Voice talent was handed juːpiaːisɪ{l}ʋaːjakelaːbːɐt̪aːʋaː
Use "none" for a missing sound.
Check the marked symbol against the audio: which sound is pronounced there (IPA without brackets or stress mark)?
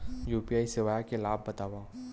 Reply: none